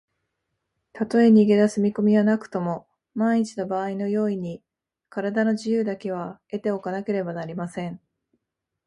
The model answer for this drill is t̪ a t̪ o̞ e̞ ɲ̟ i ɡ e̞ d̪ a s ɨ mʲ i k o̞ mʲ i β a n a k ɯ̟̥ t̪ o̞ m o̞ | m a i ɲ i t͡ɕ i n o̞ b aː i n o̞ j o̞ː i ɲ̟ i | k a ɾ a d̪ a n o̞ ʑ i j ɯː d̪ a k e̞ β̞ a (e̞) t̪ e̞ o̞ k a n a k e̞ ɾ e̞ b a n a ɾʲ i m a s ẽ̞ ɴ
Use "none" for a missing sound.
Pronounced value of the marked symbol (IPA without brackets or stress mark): e̞